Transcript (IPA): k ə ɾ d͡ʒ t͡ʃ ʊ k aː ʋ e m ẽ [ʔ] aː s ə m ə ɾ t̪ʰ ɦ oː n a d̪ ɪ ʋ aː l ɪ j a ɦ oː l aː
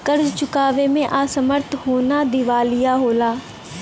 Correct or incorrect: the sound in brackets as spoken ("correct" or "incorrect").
correct